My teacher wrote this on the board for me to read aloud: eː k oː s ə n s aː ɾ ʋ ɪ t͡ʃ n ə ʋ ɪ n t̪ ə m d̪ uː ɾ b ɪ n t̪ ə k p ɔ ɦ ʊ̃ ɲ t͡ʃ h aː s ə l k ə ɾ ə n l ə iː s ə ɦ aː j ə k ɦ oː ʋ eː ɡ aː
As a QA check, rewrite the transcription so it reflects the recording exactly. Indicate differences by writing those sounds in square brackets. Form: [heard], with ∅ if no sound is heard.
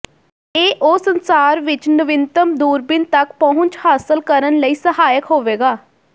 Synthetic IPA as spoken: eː [ʔ] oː s ə n s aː ɾ ʋ ɪ t͡ʃ n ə ʋ ɪ n t̪ ə m d̪ uː ɾ b ɪ n t̪ ə k p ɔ ɦ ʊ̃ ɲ t͡ʃ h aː s ə l k ə ɾ ə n l ə iː s ə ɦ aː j ə k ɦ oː ʋ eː ɡ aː

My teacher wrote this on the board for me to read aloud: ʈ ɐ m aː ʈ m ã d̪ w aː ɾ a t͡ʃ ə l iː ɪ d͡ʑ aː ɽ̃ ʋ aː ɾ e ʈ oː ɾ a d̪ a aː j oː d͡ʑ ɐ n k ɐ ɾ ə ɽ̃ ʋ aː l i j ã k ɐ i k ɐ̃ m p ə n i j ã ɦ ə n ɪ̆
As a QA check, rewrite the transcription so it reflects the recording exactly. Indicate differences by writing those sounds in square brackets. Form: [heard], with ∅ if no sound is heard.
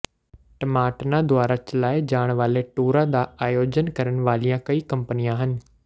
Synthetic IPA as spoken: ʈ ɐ m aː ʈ [n] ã d̪ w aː ɾ a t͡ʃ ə l [aː] ɪ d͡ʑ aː ɽ̃ ʋ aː [l] e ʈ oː ɾ a d̪ a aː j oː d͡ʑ [ə] n k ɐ ɾ ə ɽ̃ ʋ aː l i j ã k ɐ i k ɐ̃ m p ə n i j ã ɦ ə n ɪ̆

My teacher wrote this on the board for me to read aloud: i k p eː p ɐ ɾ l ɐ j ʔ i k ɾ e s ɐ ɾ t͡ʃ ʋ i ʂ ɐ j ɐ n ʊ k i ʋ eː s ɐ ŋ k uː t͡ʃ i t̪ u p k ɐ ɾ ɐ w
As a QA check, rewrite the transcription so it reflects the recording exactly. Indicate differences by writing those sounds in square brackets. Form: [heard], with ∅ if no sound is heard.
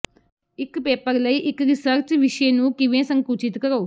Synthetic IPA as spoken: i k p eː p ɐ ɾ l ɐ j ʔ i k ɾ [i] s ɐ ɾ t͡ʃ ʋ i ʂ ɐ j ɐ n [u] k i ʋ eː s ɐ ŋ k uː t͡ʃ i t̪ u [∅] k ɐ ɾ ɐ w

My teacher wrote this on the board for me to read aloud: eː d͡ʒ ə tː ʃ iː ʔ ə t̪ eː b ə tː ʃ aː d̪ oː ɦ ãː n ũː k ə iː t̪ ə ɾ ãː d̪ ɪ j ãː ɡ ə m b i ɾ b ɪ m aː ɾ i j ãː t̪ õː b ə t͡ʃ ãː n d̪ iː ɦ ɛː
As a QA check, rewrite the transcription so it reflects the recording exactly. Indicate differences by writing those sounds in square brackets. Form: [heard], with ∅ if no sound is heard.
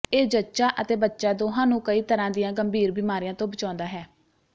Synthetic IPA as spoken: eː d͡ʒ ə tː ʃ [aː] ʔ ə t̪ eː b ə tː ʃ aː d̪ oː ɦ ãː n ũː k ə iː t̪ ə ɾ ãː d̪ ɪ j ãː ɡ ə m b [iː] ɾ b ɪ m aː ɾ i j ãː t̪ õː b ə t͡ʃ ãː n d̪ [aː] ɦ ɛː

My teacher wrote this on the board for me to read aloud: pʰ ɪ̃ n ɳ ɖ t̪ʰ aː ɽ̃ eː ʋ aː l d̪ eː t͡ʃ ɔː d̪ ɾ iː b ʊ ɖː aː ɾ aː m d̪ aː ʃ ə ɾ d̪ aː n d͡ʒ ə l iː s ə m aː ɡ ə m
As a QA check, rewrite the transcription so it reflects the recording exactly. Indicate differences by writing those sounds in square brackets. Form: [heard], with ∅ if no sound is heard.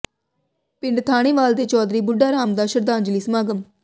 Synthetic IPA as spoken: [p] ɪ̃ [∅] ɳ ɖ t̪ʰ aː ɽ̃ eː ʋ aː l d̪ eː t͡ʃ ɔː d̪ ɾ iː b ʊ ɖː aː ɾ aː m d̪ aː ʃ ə ɾ d̪ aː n d͡ʒ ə l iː s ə m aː ɡ ə m

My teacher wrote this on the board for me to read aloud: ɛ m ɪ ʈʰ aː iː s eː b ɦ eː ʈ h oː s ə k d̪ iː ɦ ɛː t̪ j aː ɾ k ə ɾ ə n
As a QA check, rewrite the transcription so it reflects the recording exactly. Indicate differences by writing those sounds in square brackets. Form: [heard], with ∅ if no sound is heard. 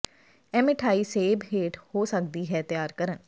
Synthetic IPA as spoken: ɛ m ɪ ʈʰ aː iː s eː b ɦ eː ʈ h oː s ə k d̪ iː ɦ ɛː t̪ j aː ɾ k ə ɾ ə n

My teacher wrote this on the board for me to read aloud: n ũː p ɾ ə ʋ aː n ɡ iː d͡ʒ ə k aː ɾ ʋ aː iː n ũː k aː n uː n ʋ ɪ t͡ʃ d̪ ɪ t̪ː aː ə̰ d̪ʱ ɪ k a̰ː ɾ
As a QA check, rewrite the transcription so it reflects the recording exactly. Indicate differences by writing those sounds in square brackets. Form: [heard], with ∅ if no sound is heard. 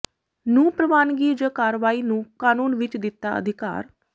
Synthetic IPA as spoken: n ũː p ɾ ə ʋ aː n ɡ iː d͡ʒ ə k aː ɾ ʋ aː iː n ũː k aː n uː n ʋ ɪ t͡ʃ d̪ ɪ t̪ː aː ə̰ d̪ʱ ɪ k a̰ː ɾ

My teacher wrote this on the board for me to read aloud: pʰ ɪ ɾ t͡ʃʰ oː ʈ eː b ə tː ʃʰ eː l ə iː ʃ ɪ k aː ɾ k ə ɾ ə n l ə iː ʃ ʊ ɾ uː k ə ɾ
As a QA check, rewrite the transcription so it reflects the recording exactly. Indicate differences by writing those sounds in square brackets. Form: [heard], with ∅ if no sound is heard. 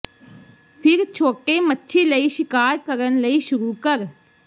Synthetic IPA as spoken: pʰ ɪ ɾ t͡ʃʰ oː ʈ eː [m] ə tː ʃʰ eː l ə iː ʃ ɪ k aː ɾ k ə ɾ ə n l ə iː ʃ ʊ ɾ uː k ə ɾ

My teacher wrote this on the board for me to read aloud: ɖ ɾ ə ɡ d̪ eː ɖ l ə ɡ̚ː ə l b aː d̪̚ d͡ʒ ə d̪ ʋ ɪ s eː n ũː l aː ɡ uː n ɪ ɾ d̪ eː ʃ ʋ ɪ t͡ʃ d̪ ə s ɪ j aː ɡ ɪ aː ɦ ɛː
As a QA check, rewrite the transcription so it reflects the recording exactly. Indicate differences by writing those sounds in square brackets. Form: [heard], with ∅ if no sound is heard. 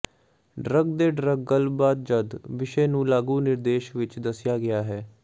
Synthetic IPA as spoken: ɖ ɾ ə ɡ d̪ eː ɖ [ɾ] ə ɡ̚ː ə l b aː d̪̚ d͡ʒ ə d̪ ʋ ɪ [ʃ] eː n ũː l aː ɡ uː n ɪ ɾ d̪ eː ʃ ʋ ɪ t͡ʃ d̪ ə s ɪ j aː ɡ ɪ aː ɦ ɛː

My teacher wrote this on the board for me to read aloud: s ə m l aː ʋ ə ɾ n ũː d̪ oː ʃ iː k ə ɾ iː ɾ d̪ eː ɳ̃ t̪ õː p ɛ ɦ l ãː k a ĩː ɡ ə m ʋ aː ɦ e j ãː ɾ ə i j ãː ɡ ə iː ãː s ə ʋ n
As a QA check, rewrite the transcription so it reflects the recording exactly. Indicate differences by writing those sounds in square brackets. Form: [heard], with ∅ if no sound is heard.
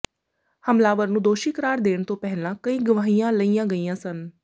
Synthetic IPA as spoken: [h] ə m l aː ʋ ə ɾ n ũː d̪ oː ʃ iː k ə ɾ [aː] ɾ d̪ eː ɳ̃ t̪ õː p ɛ ɦ l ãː k [ə] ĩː ɡ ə [∅] ʋ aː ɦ [i] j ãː [l] ə i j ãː ɡ ə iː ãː s ə [∅] n

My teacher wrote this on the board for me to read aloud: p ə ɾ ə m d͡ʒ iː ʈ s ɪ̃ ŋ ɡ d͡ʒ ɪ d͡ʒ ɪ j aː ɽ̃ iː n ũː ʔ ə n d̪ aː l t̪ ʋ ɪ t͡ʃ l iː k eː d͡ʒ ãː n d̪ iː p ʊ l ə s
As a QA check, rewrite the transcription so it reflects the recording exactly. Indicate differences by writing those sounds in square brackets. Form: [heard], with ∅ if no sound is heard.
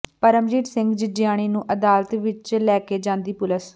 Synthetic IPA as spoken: p ə ɾ ə m d͡ʒ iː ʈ s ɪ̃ ŋ ɡ d͡ʒ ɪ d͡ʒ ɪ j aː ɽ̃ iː n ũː ʔ ə [∅] d̪ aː l t̪ ʋ ɪ t͡ʃ l [ɛː] k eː d͡ʒ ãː n d̪ iː p ʊ l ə s

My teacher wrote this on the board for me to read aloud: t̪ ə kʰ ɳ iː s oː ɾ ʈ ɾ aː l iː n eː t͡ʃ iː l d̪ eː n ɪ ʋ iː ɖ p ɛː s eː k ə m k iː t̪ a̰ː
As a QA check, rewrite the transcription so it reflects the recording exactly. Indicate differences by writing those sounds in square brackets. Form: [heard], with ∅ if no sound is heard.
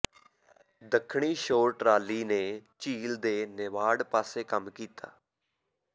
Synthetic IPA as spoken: [d̪] ə kʰ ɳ iː [ʃ] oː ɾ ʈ ɾ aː l iː n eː t͡ʃ iː l d̪ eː n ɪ ʋ [aː] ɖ p [aː] s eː k ə m k iː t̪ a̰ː

